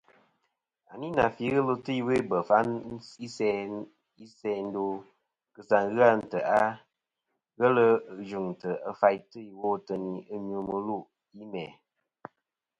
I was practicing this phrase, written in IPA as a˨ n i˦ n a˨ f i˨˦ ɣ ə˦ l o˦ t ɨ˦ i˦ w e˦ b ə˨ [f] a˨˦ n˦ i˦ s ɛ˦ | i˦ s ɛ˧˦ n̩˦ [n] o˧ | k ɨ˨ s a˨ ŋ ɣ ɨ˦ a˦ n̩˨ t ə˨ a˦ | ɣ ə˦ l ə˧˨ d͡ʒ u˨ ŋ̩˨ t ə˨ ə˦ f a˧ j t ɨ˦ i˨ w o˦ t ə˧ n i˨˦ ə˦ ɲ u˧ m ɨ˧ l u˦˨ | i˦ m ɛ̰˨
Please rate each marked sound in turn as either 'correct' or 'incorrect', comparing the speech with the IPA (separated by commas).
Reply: correct, incorrect